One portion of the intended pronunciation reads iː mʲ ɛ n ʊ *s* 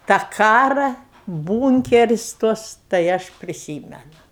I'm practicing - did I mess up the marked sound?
yes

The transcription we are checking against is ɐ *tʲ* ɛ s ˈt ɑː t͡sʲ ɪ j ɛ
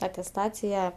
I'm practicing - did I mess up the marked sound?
no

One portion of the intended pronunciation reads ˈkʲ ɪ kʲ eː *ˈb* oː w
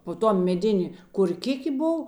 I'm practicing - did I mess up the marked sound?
no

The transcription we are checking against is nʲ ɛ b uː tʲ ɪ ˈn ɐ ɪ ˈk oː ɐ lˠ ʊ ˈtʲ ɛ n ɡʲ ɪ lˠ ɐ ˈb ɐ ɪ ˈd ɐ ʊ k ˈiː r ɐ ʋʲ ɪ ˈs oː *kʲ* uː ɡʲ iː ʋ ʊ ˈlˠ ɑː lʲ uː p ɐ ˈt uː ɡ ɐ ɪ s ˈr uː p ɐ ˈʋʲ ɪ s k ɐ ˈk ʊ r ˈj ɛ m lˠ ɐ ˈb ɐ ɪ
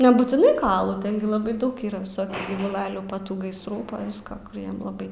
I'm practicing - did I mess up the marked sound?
no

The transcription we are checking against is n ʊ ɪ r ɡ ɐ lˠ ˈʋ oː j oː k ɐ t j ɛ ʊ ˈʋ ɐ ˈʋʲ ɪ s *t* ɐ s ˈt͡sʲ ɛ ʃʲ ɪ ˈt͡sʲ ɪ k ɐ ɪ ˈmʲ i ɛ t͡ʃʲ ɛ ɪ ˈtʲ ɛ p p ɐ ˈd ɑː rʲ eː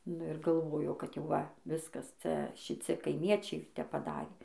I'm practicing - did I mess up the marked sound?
yes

